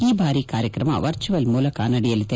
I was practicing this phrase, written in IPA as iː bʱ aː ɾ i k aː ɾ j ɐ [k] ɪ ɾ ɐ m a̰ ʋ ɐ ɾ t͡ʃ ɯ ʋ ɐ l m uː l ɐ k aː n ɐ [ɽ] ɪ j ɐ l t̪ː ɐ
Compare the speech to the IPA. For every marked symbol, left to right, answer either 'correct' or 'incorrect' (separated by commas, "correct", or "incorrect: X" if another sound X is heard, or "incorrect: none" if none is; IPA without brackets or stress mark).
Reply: correct, correct